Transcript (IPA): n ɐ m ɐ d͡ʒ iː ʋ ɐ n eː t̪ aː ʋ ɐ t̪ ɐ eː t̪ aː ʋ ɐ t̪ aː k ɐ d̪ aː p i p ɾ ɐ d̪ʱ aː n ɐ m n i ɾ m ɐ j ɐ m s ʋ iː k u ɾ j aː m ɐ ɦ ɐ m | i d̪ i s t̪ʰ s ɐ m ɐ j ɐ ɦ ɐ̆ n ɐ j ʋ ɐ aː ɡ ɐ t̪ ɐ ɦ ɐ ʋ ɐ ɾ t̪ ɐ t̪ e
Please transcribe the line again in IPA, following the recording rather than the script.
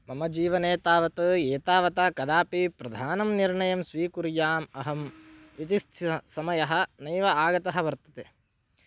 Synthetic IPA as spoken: m ɐ m ɐ d͡ʒ iː ʋ ɐ n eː t̪ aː ʋ ɐ t̪ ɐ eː t̪ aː ʋ ɐ t̪ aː k ɐ d̪ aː p i p ɾ ɐ d̪ʱ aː n ɐ m n i ɾ ɳ ɐ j ɐ m s ʋ iː k u ɾ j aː m ɐ ɦ ɐ m | i t̪ i s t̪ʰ s ɐ m ɐ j ɐ ɦ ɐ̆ n ɐ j ʋ ɐ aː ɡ ɐ t̪ ɐ ɦ ɐ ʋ ɐ ɾ t̪ ɐ t̪ e